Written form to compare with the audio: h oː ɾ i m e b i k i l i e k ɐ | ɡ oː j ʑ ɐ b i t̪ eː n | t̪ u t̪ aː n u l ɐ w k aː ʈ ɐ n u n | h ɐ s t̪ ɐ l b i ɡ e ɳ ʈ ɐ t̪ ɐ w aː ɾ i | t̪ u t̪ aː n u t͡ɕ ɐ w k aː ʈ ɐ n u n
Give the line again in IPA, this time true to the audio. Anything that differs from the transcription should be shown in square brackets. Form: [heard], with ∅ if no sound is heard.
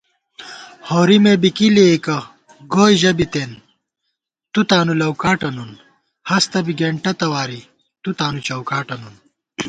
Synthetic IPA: h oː ɾ i m e b i k i l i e k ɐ | ɡ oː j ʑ ɐ b i t̪ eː n | t̪ u t̪ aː n u l ɐ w k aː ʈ ɐ n u n | h ɐ s t̪ ɐ [∅] b i ɡ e ɳ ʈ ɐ t̪ ɐ w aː ɾ i | t̪ u t̪ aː n u t͡ɕ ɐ w k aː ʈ ɐ n u n

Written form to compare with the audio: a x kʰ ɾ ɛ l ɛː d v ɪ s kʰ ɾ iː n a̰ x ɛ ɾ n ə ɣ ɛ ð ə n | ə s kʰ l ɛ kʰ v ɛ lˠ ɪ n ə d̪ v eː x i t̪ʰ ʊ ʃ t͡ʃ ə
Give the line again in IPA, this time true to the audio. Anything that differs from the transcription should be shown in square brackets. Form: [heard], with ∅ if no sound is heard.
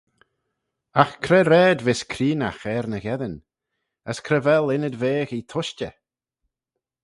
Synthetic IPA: a x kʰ ɾ ɛ [ɾ] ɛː d v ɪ s kʰ ɾ iː n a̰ x ɛ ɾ n ə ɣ ɛ ð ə n | ə s kʰ [ɾ] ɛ [∅] v ɛ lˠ ɪ n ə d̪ v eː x i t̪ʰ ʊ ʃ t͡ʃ ə

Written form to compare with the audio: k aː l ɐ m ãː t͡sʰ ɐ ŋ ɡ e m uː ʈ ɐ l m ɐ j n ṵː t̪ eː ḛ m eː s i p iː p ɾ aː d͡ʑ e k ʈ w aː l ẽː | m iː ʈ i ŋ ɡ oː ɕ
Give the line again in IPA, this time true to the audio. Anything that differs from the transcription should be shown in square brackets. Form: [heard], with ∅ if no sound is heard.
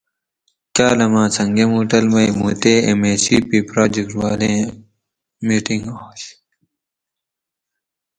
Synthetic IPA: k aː l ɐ m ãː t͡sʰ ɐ ŋ ɡ e m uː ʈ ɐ l m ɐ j [m] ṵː t̪ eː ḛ m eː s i p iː p ɾ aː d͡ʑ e k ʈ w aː l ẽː | m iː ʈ i ŋ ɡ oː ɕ

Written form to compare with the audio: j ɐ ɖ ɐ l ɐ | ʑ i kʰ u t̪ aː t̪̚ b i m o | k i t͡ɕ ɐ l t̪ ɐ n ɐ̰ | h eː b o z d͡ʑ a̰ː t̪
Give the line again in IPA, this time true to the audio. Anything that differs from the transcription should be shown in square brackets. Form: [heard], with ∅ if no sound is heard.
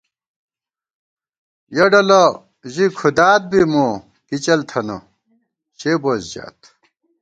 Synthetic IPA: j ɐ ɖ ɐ l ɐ | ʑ i kʰ u [d̪] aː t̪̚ b i m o | k i t͡ɕ ɐ l [t̪ʰ] ɐ n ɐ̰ | [ɕ] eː b o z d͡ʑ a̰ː t̪

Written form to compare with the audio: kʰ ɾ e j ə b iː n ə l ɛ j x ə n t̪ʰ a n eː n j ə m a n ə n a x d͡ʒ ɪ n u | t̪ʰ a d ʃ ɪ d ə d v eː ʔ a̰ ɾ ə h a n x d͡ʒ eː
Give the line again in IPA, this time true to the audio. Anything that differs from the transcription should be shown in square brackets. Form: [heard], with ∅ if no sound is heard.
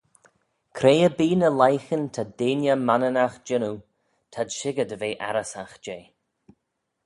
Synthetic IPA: kʰ ɾ e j ə b iː n ə l [a] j x ə n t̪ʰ a [d] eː n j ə m a n ə n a x d͡ʒ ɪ n u | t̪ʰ a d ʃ ɪ [ɡ] ə d v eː ʔ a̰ ɾ ə [s] a [∅] x d͡ʒ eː

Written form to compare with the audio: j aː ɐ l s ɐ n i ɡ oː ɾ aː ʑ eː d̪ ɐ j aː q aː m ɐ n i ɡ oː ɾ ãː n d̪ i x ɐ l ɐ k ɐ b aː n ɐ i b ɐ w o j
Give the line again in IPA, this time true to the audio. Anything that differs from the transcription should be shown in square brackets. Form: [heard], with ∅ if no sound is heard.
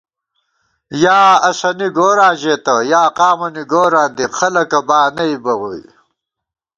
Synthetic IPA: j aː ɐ [∅] s ɐ n i ɡ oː ɾ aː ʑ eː [t̪] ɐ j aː q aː m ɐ n i ɡ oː ɾ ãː n d̪ i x ɐ l ɐ k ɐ b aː n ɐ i b ɐ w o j

